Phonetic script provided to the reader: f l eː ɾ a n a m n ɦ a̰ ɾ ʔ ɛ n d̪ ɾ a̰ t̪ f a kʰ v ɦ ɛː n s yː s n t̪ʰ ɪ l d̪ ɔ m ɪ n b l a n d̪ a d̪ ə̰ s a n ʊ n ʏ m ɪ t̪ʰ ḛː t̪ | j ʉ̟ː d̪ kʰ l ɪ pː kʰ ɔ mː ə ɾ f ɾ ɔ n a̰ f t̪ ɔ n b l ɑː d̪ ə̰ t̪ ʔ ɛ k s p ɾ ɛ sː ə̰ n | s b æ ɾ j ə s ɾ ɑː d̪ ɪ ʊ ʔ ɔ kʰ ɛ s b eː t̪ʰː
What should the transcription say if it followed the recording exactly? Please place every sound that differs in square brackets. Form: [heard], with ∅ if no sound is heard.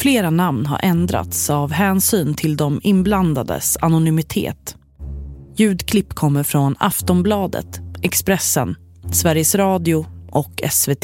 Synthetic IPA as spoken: f l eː ɾ a n a m n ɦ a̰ ɾ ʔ ɛ n d̪ ɾ a̰ t̪ [s] a [∅] v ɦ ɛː n s yː [∅] n t̪ʰ ɪ l d̪ ɔ m ɪ n b l a n d̪ a d̪ ə̰ s a n ʊ n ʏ m ɪ t̪ʰ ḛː t̪ | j ʉ̟ː d̪ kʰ l ɪ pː kʰ ɔ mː ə ɾ f ɾ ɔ n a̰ f t̪ ɔ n b l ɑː d̪ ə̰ t̪ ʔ ɛ k s p ɾ ɛ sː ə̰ n | s [v] æ ɾ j ə s ɾ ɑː d̪ ɪ ʊ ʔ ɔ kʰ ɛ s [v] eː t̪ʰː